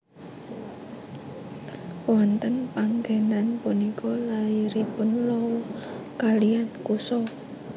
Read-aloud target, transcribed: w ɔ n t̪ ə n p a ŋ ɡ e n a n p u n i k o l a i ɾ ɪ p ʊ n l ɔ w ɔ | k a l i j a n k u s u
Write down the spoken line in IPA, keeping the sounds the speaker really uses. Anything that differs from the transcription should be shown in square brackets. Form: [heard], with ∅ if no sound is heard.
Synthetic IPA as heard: w ɔ n t̪ ə n p a ŋ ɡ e n a n p u n i k [ɔ] l a i ɾ [i] p ʊ n l ɔ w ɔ | k a l i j a n k u s [ɔ]